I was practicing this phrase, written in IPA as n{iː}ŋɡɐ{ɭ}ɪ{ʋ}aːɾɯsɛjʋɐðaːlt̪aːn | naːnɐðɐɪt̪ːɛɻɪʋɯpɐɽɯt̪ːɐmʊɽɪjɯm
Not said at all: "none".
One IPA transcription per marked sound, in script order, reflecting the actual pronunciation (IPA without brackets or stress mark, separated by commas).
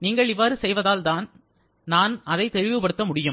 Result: iː, ɭ, ʋː